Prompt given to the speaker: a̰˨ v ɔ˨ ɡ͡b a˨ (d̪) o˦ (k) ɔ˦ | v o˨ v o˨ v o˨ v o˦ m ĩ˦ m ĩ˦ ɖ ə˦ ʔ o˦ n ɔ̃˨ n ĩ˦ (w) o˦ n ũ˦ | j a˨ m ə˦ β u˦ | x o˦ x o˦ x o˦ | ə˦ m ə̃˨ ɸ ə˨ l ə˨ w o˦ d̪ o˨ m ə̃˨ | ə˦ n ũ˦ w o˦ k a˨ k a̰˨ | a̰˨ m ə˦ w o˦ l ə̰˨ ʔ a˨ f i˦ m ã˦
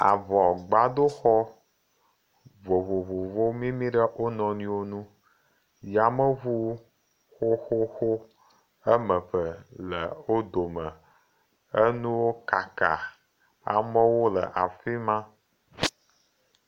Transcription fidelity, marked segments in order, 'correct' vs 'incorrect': correct, incorrect: x, correct

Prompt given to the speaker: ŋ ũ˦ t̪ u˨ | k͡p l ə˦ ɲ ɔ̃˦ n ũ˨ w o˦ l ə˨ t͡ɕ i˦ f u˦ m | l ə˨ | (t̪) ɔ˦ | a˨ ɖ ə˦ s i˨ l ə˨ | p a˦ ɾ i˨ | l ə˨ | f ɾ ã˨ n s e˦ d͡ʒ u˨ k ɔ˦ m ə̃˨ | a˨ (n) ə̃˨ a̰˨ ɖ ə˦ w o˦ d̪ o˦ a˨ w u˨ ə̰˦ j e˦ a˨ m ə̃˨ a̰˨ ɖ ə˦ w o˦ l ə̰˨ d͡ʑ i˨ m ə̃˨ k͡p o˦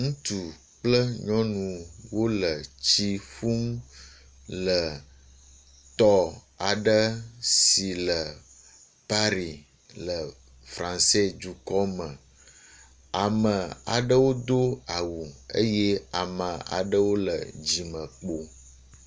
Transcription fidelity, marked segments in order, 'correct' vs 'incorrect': correct, incorrect: m

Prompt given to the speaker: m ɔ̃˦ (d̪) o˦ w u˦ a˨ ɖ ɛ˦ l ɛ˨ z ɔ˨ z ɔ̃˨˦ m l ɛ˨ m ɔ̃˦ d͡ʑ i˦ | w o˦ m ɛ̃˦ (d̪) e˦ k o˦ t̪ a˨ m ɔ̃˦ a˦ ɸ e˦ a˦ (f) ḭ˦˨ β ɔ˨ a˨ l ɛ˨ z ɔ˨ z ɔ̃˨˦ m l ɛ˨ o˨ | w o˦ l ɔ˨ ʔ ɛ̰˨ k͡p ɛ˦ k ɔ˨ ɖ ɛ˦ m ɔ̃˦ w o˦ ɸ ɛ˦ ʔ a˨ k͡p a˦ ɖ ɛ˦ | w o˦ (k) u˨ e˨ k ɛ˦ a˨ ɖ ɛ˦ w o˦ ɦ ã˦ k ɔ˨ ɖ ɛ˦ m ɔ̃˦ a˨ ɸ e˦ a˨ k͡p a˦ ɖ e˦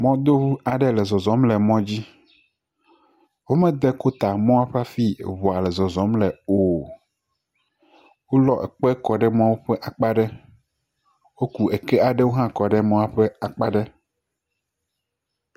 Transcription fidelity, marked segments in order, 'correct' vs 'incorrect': correct, correct, correct, correct

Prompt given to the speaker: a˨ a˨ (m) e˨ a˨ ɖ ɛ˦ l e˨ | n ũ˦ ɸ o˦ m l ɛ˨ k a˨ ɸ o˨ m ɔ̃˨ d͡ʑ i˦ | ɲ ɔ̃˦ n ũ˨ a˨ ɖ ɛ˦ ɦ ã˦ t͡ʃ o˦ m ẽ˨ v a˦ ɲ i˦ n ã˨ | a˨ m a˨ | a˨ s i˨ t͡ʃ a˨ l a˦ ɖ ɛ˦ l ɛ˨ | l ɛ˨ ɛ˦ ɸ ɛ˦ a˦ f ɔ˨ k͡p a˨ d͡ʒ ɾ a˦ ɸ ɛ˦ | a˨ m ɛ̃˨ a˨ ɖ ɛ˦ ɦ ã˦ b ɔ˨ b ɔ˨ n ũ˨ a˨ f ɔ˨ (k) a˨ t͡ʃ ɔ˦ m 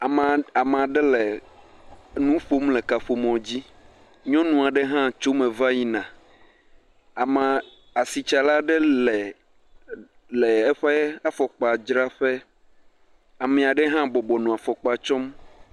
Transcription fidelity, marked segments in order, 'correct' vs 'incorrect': correct, incorrect: k͡p

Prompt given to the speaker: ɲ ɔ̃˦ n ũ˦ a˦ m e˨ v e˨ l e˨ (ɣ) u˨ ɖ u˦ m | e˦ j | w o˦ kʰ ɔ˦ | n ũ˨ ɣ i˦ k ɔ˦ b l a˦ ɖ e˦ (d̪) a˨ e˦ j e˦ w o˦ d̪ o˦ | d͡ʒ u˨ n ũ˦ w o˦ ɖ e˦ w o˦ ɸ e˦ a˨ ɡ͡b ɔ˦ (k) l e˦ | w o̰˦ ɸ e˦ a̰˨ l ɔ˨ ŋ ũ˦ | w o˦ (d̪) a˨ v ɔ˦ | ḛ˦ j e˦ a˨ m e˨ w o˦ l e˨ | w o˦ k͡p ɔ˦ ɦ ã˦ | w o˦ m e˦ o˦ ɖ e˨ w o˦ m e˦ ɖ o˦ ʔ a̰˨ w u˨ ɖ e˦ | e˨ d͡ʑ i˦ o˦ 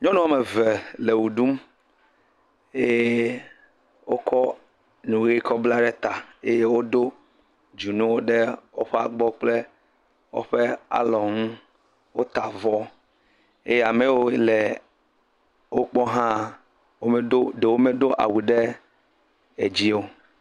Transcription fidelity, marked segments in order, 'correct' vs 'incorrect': incorrect: w, incorrect: t̪, incorrect: k͡p, incorrect: t̪

